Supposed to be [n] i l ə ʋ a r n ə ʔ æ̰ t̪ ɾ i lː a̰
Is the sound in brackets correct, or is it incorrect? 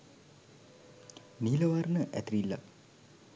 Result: correct